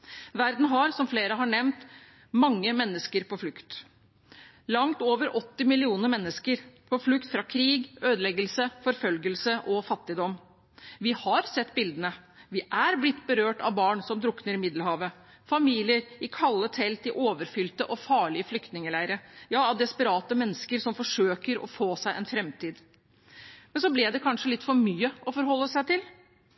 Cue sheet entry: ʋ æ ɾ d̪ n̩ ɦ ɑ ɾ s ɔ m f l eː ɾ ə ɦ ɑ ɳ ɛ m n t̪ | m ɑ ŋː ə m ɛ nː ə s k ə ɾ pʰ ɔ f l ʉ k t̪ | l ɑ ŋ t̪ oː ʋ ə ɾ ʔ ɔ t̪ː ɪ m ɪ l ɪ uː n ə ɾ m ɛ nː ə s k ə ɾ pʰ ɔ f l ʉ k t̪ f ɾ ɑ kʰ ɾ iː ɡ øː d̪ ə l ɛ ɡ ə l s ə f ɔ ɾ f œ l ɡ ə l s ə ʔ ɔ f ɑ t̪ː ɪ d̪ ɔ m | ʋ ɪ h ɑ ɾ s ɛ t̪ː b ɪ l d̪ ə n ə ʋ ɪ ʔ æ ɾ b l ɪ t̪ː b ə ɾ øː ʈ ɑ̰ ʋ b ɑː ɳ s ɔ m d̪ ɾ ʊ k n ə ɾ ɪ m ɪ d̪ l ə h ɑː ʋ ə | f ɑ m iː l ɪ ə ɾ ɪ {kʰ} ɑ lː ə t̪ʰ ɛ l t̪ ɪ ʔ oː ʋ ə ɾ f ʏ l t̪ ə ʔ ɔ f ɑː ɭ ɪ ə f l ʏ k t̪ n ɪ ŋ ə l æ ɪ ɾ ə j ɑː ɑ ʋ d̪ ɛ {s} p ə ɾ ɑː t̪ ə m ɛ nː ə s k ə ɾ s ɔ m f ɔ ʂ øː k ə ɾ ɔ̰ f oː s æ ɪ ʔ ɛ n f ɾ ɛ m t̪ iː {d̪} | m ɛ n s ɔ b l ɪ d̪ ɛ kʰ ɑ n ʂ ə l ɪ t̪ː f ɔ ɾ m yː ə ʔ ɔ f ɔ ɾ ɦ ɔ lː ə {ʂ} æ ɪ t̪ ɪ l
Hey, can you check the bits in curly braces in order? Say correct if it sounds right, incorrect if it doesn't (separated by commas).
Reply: correct, correct, correct, incorrect